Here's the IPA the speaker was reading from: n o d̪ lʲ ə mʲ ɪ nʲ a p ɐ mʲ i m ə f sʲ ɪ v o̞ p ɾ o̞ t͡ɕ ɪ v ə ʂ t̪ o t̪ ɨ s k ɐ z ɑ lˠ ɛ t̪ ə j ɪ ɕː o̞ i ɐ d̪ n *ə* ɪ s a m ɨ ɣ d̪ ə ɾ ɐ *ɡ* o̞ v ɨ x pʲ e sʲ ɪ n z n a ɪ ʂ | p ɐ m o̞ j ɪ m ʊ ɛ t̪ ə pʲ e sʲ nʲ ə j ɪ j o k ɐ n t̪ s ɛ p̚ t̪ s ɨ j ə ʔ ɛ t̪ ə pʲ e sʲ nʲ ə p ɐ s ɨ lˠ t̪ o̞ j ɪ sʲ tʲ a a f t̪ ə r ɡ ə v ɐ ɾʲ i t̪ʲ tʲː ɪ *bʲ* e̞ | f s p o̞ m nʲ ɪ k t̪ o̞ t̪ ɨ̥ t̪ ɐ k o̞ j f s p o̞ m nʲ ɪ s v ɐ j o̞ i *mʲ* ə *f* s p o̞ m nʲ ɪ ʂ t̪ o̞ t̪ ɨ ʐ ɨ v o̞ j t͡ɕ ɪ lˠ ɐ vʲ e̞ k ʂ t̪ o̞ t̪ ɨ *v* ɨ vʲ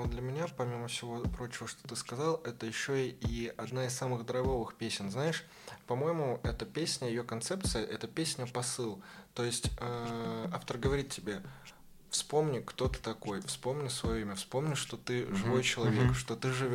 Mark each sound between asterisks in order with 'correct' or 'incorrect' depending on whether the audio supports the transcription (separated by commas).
incorrect, correct, correct, correct, correct, incorrect